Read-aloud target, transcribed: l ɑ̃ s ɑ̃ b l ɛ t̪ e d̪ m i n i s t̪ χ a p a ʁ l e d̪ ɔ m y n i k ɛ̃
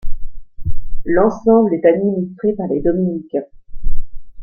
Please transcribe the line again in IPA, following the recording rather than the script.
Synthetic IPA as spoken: l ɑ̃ s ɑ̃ b l ɛ t̪ a d̪ m i n i s t̪ χ e p a ʁ l e d̪ ɔ m i n i k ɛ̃